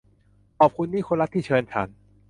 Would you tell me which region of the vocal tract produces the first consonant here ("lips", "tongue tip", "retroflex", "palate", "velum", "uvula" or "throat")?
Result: throat